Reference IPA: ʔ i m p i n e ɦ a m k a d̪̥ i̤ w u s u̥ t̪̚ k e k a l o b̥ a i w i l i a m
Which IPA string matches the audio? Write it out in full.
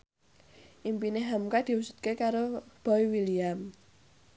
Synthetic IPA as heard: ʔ i m p i n e ɦ a m k a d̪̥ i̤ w u s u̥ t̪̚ k e k a ɾ o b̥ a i w i l i a m